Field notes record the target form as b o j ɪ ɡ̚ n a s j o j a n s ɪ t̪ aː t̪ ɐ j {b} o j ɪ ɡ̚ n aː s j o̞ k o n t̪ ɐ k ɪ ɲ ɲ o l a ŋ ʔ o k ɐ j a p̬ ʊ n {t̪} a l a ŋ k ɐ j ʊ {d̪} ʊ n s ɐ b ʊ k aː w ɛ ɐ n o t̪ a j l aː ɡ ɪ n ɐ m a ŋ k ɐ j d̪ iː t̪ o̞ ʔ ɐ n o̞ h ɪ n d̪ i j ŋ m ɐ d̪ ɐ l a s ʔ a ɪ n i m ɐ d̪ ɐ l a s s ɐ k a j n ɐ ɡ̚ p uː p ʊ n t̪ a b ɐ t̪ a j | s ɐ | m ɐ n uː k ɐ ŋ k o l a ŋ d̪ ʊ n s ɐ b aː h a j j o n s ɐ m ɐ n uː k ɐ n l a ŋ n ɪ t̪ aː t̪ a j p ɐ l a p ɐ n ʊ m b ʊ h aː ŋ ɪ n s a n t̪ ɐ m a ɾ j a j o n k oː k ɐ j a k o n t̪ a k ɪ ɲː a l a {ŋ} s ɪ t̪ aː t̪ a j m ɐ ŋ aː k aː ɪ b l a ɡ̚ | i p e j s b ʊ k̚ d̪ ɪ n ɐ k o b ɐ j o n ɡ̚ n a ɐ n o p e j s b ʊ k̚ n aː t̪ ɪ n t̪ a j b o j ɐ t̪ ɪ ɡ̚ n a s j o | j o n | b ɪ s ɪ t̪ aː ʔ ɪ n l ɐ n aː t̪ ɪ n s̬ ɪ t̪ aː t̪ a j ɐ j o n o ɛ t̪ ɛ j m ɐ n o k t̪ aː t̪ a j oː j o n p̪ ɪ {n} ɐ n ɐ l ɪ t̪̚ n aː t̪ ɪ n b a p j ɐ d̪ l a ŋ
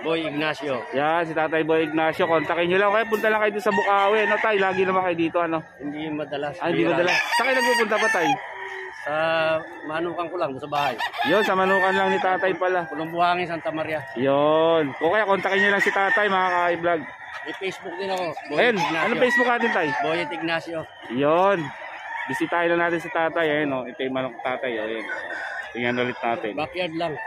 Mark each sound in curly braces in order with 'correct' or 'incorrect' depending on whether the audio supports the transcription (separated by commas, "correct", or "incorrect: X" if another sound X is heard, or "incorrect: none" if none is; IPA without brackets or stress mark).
correct, correct, correct, correct, incorrect: ŋ